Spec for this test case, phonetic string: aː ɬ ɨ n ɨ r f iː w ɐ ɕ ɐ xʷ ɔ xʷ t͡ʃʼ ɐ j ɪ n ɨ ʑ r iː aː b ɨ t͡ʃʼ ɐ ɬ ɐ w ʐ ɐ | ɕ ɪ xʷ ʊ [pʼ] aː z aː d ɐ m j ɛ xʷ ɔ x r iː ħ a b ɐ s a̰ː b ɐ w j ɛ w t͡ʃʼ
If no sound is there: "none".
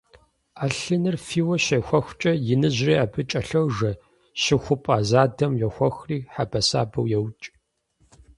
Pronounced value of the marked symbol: pʼ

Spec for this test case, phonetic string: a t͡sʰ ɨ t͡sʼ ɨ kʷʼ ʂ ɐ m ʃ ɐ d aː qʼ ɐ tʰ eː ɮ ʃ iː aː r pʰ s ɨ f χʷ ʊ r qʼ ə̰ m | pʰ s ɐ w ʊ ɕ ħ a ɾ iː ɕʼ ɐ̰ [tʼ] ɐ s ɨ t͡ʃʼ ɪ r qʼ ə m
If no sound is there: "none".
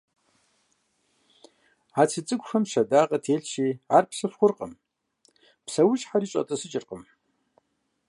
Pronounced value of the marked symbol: tʼ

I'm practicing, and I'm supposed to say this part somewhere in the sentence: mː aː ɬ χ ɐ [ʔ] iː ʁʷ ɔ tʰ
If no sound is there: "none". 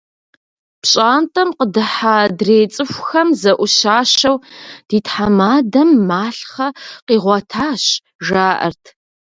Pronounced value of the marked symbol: q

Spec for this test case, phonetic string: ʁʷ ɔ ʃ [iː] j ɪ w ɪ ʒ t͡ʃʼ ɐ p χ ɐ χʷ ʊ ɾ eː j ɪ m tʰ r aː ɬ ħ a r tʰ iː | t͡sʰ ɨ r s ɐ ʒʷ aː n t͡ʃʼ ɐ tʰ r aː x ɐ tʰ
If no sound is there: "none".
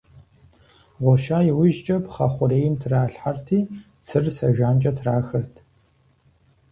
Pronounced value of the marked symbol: aː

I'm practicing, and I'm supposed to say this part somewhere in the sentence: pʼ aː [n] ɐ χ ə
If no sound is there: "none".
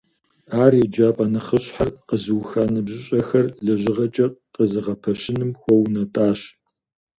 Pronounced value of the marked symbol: n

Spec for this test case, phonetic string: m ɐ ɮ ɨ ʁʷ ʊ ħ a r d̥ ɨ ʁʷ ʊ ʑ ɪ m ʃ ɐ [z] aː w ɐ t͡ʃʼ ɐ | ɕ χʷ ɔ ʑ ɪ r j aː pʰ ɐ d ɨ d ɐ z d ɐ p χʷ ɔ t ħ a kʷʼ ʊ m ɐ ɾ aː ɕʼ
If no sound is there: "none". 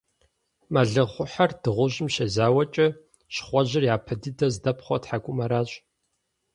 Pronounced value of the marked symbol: z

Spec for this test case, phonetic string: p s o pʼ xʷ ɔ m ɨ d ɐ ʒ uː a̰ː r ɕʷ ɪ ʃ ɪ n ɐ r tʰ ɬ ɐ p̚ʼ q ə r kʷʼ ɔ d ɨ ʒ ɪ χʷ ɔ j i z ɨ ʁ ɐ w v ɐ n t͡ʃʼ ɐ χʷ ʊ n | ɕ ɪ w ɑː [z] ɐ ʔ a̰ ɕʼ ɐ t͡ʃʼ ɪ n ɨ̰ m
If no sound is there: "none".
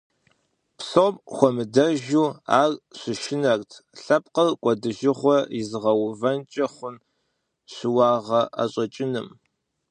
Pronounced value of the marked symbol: ʁ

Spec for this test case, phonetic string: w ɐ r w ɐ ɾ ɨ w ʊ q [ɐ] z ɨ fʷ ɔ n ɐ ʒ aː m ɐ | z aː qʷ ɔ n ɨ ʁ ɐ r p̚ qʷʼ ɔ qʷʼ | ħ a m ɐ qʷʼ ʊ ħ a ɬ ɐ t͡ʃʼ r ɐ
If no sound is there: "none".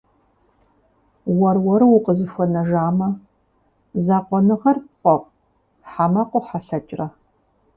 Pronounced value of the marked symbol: ə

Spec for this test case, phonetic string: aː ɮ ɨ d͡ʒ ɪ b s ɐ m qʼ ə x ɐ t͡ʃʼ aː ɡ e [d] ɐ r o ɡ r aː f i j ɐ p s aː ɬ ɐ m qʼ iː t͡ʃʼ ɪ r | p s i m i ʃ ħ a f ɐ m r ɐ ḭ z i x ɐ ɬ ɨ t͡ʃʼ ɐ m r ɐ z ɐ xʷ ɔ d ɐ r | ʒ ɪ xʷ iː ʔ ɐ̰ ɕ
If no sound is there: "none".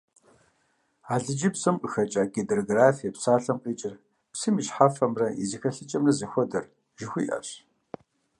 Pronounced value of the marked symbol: d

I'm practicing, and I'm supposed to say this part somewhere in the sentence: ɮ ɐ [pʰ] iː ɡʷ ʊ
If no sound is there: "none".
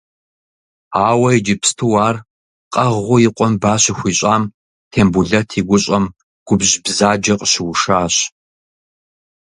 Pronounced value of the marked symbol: tʰ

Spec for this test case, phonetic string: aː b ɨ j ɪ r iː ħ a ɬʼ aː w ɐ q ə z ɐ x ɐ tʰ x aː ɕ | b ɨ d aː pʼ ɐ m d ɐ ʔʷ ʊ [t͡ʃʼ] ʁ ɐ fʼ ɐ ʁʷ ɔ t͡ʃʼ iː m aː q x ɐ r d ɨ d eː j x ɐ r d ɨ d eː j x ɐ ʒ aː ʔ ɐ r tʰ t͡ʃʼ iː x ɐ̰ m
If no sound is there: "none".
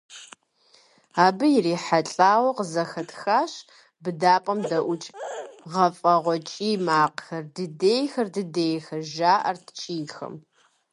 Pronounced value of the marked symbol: t͡ʃʼ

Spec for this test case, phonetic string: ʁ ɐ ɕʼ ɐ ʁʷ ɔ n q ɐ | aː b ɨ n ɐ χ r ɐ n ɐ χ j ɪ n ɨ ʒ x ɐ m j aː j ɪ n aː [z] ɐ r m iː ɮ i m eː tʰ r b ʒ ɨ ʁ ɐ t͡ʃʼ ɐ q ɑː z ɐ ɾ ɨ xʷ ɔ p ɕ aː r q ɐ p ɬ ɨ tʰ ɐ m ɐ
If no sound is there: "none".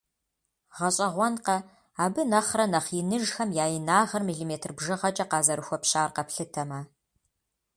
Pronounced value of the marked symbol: ʁ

